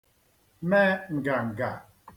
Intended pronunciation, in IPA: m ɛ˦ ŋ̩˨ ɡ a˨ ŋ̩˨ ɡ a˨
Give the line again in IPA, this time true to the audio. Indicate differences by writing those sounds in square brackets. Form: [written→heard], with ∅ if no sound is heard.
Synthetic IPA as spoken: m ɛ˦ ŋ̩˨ ɡ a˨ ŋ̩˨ ɡ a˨